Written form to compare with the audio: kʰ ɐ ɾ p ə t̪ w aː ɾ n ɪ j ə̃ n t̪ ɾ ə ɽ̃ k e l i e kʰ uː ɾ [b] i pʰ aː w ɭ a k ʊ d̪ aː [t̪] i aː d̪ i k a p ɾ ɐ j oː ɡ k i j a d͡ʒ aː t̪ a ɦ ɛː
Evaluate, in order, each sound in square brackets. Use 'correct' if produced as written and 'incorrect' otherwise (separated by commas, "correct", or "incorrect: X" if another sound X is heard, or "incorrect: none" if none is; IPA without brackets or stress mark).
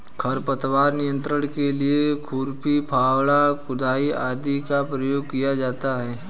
incorrect: p, incorrect: none